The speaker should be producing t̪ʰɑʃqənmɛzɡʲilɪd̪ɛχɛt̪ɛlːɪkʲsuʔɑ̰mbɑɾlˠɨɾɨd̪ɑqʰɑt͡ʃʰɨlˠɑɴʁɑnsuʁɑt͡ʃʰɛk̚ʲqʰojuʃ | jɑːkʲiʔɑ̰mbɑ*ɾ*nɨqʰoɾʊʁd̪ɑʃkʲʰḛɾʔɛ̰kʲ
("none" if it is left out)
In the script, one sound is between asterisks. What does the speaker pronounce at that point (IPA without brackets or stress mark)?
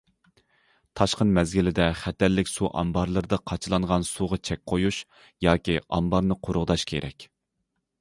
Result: ɾ